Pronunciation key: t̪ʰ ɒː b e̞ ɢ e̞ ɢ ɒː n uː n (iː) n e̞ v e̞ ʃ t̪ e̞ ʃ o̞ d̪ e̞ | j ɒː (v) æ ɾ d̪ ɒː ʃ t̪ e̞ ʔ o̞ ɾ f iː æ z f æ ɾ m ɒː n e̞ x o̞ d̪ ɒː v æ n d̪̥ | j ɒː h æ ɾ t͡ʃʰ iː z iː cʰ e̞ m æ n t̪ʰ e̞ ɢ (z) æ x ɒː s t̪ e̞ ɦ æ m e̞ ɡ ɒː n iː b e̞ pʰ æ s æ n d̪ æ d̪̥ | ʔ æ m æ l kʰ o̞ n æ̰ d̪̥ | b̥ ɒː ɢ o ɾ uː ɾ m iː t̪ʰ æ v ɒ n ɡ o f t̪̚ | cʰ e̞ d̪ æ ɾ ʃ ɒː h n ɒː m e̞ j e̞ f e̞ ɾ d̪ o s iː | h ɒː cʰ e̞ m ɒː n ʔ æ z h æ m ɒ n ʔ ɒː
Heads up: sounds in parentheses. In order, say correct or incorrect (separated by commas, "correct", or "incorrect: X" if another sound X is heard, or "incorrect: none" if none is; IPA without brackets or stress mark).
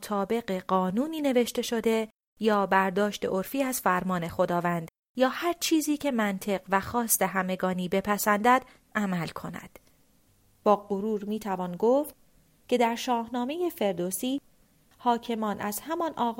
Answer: correct, incorrect: b, incorrect: v